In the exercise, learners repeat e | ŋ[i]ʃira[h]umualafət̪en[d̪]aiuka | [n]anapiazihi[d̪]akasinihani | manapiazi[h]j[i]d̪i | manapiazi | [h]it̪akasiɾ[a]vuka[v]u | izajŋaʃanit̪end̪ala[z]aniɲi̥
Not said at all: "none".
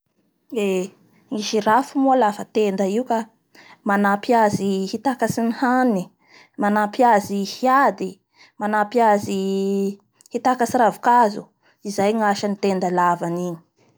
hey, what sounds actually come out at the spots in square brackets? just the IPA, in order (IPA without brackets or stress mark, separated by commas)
i, f, d̪, m, t̪, h, a, h, a, z, v